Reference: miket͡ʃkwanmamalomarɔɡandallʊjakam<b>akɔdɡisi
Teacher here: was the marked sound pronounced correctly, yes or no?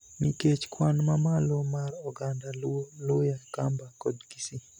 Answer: yes